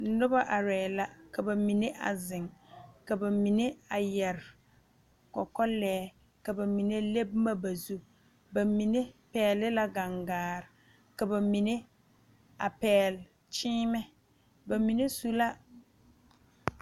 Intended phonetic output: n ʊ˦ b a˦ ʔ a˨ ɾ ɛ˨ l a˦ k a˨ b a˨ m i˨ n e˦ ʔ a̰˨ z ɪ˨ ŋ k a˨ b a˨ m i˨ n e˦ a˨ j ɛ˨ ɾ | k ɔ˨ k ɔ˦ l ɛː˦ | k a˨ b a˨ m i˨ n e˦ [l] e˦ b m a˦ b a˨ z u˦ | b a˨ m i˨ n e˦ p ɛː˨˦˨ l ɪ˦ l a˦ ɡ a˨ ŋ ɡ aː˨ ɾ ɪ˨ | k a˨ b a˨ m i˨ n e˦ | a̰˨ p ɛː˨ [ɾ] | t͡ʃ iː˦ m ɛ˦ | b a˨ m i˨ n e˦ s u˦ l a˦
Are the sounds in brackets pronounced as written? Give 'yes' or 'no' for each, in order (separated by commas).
yes, no